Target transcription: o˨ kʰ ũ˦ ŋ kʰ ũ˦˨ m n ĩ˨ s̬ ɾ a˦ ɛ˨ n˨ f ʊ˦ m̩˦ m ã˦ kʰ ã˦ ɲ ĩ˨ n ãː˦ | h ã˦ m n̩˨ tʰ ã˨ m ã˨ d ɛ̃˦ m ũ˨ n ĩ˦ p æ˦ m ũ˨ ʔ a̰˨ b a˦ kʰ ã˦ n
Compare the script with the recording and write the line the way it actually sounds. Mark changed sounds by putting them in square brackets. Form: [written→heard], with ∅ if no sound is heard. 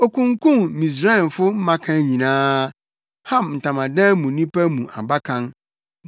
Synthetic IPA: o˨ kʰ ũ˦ ŋ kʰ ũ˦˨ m [n→m] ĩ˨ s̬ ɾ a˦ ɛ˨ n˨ f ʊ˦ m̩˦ m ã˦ kʰ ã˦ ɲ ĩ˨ n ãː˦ | h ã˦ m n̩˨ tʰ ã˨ m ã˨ d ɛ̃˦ m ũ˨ n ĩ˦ p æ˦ m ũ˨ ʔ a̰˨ b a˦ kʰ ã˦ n